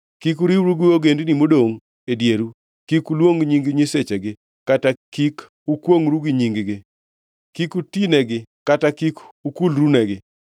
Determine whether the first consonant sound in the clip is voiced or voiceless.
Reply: voiceless